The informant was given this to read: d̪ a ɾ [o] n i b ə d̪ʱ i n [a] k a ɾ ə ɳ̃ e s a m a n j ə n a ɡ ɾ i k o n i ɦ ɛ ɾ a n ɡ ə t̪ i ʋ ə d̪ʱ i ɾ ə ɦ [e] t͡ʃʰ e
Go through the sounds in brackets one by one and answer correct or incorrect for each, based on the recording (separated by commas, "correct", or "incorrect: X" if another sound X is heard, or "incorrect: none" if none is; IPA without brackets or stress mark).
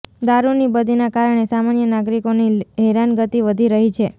incorrect: u, correct, incorrect: i